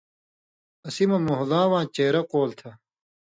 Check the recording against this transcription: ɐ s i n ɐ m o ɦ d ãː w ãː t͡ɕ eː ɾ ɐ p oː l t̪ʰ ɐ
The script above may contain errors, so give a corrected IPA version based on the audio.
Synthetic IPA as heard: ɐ s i m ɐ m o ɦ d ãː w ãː t͡ɕ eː ɾ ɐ q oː l t̪ʰ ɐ